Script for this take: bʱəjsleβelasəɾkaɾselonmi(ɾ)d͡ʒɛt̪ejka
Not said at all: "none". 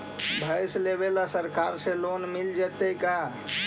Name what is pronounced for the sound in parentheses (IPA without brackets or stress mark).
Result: l